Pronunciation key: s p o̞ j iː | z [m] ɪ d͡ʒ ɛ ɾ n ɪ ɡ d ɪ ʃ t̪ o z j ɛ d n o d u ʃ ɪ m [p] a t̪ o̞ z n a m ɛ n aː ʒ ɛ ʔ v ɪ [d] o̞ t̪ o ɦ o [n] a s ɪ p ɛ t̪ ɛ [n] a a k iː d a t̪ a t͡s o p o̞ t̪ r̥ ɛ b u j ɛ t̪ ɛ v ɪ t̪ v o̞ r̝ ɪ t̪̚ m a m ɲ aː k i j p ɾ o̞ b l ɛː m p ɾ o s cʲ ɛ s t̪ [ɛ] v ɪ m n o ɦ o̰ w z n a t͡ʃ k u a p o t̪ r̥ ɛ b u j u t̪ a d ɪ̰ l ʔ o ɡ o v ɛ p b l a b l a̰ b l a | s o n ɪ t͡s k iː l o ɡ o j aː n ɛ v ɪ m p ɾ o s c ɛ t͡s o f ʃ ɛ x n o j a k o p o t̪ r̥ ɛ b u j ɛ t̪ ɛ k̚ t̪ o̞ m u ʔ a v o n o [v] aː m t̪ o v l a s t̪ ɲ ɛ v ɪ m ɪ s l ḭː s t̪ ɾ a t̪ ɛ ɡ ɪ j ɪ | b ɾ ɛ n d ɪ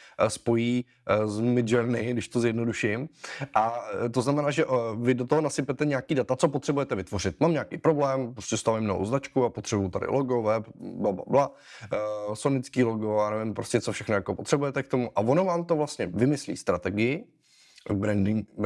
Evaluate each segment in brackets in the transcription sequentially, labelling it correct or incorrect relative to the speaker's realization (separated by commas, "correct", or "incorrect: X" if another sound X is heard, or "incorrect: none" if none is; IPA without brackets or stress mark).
correct, incorrect: ʔ, correct, correct, incorrect: ɲ, incorrect: a, correct